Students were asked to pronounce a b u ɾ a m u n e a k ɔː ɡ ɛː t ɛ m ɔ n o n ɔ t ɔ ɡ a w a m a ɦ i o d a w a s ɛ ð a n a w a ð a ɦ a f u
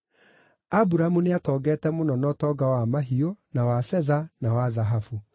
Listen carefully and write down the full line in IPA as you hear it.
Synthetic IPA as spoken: a b u ɾ a m u n e a t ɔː ɡ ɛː t ɛ m o n ɔ n ɔ t ɔ ɡ a w a m a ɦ i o n a w a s ɛ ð a n a w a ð a ɦ a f u

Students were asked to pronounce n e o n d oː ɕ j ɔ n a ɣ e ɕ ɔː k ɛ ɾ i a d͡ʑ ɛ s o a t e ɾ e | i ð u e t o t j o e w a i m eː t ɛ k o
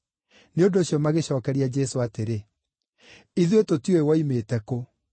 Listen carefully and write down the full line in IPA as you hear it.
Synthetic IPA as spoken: n e o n d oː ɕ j ɔ m a ɣ e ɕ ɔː k ɛ ɾ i a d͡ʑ ɛ s o a t e ɾ e | i ð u e t o t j o e w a i m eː t ɛ k o

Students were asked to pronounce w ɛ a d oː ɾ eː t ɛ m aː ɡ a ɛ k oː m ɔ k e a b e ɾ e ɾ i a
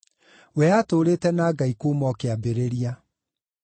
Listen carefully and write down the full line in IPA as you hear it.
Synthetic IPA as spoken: w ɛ a t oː ɾ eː t ɛ n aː ɡ a i k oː m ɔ k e a b e ɾ e ɾ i a

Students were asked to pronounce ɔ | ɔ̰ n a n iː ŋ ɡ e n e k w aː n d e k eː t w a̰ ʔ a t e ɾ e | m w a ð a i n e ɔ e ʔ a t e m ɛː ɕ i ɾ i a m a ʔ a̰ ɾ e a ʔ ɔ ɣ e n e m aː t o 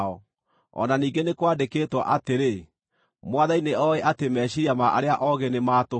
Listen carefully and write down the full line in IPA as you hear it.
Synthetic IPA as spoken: ɔ | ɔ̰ n a n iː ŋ ɡ e n e k w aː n d e k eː t w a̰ ʔ a t e ɾ e | m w a ð a i n e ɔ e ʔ a t e m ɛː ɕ i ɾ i a m a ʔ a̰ ɾ e a ʔ ɔ ɣ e n e m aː t o

